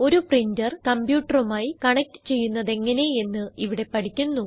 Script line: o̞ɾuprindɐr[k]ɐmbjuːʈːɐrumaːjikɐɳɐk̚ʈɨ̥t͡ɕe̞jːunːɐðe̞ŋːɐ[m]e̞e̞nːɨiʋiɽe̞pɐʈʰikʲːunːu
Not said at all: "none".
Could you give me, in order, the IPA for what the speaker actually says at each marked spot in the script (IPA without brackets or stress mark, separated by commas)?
k, n